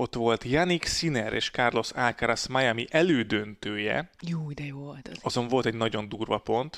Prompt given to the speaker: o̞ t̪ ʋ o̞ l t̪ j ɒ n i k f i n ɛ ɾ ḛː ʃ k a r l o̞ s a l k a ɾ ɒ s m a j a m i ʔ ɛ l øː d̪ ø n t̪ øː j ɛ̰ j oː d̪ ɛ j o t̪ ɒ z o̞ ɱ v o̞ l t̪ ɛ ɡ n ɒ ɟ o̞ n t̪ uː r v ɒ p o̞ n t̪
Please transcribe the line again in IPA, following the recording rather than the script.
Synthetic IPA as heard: o̞ t̪ ʋ o̞ l t̪ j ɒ n i k s i n ɛ ɾ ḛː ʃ k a r l o̞ s a l k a ɾ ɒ s m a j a m i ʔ ɛ l øː d̪ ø n t̪ øː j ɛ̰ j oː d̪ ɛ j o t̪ ɒ z o̞ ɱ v o̞ l t̪ ɛ ɟ n ɒ ɟ o̞ n d̪ uː r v ɒ p o̞ n t̪